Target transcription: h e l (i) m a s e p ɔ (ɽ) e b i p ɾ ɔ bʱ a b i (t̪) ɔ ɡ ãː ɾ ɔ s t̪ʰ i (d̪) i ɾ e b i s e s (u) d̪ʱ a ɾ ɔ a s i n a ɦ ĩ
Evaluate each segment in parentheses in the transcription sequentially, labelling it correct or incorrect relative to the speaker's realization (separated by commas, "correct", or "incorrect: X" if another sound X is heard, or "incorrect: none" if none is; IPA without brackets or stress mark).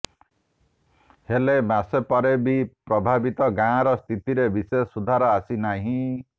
incorrect: e, incorrect: ɾ, correct, incorrect: t̪, correct